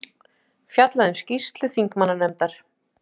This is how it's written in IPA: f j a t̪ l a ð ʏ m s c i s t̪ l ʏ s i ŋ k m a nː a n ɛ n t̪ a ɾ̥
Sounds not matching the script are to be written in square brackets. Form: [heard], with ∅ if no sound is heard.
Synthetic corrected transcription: f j a t̪ l a ð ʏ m s c i s t̪ l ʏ [θ] i ŋ k m a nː a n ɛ [m] t̪ a ɾ̥